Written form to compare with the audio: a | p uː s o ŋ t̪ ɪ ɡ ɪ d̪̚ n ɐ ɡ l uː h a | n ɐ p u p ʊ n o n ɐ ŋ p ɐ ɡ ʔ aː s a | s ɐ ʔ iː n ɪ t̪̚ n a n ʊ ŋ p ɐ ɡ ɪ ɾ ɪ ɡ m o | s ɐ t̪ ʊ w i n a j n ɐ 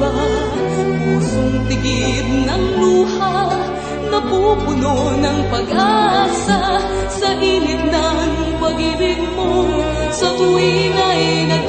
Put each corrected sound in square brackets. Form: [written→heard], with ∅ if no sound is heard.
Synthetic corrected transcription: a | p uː s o ŋ t̪ ɪ ɡ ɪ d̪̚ n ɐ [ɡ→ŋ] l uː h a | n ɐ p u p ʊ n o n ɐ ŋ p ɐ ɡ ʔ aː s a | s ɐ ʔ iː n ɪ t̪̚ n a n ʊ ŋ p ɐ ɡ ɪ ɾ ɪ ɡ m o | s ɐ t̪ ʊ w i n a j n ɐ